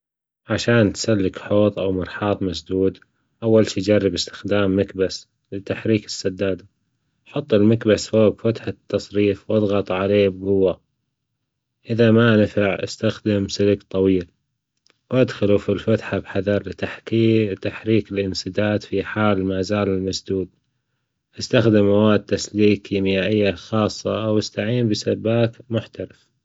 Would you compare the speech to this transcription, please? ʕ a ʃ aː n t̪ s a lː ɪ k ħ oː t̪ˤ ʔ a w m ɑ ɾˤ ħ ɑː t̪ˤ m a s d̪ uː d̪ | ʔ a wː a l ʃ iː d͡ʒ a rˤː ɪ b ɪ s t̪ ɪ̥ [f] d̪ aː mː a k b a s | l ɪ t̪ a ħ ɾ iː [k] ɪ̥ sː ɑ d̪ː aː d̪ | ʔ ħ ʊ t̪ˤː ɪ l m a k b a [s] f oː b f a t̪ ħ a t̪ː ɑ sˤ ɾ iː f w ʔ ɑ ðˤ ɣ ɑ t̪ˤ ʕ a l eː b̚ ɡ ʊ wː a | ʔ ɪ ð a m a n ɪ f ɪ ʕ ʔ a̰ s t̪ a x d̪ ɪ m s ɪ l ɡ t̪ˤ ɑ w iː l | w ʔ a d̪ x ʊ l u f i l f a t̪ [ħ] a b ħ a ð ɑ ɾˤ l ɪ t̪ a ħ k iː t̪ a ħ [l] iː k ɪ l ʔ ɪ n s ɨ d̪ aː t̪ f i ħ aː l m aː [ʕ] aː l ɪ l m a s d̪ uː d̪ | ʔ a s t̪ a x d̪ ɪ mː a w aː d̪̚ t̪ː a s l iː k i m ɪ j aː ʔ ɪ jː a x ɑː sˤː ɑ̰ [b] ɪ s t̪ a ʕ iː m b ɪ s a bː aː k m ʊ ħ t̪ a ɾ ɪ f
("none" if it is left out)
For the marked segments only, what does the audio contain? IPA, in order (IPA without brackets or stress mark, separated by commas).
x, k, s, ħ, ɾ, z, w